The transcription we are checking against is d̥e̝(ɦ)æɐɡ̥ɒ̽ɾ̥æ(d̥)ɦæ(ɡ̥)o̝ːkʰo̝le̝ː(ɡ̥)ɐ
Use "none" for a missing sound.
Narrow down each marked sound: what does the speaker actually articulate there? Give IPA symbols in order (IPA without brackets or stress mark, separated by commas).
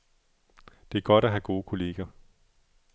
none, none, ɡ̥, ɡ̥